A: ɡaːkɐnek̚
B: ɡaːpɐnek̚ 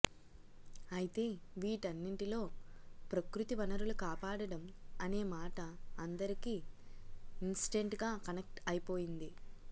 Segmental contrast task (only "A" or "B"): A